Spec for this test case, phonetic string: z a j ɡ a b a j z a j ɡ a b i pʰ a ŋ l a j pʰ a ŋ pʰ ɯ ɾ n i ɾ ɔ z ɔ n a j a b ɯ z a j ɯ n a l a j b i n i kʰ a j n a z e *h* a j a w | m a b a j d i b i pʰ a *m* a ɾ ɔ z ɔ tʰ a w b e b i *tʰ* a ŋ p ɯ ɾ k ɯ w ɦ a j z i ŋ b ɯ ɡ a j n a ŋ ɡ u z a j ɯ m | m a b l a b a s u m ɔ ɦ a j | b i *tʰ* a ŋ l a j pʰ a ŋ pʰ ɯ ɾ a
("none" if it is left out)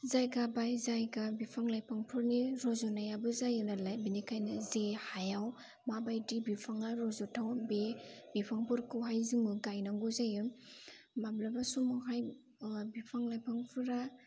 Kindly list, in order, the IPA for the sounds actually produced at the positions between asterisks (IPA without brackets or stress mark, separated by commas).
h, ŋ, pʰ, pʰ